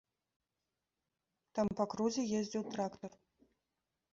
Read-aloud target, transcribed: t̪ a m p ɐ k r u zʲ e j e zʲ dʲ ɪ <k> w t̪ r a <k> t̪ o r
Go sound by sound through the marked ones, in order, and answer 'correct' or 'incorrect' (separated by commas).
incorrect, correct